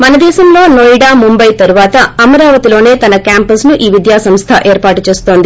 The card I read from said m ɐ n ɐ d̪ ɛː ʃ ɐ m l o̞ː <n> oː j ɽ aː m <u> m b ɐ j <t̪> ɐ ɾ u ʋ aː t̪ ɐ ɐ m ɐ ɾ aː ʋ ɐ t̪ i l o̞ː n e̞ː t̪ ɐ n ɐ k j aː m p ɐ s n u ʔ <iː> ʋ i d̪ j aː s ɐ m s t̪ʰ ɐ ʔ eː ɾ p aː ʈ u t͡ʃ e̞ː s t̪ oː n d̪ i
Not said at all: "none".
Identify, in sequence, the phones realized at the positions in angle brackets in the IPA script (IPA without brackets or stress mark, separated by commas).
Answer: n, u, t̪, iː